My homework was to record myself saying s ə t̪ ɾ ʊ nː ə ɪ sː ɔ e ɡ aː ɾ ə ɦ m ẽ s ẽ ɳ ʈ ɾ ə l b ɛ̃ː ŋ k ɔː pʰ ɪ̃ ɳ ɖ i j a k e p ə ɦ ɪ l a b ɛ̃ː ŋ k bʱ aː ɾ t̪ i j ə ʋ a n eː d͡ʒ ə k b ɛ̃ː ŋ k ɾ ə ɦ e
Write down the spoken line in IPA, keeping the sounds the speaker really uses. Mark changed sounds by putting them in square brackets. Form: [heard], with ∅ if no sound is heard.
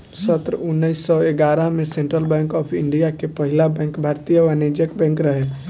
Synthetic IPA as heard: s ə t̪ ɾ ʊ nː ə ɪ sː ɔ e ɡ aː ɾ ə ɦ m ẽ s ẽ ɳ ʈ ɾ ə l b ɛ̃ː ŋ k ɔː pʰ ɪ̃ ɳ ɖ i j a k e p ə ɦ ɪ l a b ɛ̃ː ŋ k bʱ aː ɾ t̪ i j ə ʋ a n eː d͡ʒ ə k b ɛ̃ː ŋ k ɾ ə ɦ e